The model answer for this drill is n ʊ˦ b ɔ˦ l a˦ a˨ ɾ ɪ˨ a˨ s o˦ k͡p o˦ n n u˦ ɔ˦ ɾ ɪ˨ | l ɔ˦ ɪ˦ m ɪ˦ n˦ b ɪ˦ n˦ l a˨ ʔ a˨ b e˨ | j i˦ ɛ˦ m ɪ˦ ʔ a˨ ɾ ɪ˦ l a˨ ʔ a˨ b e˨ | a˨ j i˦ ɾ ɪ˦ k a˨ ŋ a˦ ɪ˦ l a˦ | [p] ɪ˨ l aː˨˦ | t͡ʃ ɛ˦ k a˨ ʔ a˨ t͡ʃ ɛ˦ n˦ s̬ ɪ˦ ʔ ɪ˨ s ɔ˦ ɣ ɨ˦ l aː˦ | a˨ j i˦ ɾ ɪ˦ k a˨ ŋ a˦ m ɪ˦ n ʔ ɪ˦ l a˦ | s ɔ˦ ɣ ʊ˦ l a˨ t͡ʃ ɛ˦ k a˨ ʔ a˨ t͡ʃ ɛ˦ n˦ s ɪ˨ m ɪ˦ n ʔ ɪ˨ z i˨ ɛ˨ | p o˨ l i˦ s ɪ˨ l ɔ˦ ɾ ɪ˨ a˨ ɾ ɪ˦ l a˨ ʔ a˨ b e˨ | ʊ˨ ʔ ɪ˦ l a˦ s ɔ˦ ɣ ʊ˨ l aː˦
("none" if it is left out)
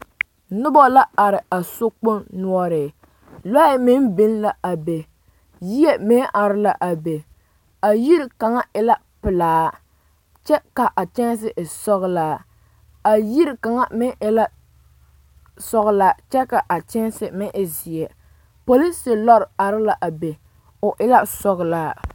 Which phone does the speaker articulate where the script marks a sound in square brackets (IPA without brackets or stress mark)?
p